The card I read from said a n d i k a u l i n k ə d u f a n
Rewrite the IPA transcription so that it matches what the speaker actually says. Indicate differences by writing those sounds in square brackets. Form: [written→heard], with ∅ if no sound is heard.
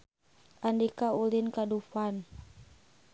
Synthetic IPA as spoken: a n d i k a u l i n k [ə→a] d u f a n